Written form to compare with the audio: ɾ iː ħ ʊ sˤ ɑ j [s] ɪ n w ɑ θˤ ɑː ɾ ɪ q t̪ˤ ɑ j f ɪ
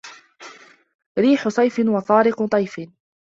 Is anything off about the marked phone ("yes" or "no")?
yes